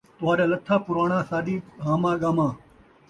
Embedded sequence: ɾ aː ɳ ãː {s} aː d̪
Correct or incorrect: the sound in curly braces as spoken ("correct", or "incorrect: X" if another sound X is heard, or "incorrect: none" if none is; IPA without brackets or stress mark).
correct